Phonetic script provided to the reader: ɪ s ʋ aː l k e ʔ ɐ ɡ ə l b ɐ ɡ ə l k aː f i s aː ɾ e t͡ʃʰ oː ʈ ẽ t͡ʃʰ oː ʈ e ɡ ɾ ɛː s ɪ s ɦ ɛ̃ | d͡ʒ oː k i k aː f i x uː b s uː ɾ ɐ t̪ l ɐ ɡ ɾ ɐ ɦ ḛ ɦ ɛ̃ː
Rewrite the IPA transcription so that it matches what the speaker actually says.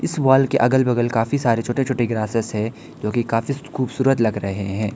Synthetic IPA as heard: ɪ s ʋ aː l k e ʔ ɐ ɡ ə l b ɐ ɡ ə l k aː f i s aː ɾ e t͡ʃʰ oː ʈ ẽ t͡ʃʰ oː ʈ e ɡ ɾ aː s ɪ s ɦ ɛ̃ | d͡ʒ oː k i k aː f i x uː b s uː ɾ ə t̪ l ɐ ɡ ɾ ɐ ɦ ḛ ɦ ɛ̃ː